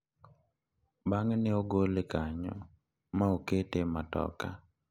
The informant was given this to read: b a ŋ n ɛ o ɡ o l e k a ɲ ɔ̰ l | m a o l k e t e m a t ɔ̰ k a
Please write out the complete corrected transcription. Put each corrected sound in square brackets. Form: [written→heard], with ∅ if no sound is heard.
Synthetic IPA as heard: b a ŋ n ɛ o ɡ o l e k a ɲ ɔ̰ [l→∅] | m a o [l→∅] k e t e m a t ɔ̰ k a